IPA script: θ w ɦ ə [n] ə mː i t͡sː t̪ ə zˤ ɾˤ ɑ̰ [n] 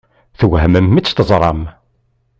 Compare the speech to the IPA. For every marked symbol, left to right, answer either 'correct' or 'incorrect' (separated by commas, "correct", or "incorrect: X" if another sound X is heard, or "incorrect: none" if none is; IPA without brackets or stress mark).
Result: incorrect: m, incorrect: m